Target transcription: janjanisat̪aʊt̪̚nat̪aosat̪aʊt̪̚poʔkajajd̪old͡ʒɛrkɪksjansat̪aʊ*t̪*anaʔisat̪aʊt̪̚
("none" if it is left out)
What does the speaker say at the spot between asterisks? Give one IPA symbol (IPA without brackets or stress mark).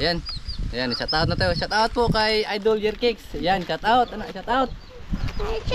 t̪